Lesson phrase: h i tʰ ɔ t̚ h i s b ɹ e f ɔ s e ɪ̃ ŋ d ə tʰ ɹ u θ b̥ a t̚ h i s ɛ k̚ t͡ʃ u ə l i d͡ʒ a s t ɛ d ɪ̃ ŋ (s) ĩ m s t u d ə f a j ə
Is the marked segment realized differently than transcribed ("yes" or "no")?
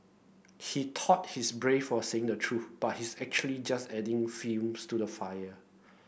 yes